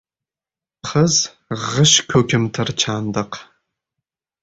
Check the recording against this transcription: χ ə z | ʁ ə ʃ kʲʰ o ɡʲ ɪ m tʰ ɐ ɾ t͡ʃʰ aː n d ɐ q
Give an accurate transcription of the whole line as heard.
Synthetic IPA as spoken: χ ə z | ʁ ə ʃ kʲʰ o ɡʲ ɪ m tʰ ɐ r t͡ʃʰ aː n d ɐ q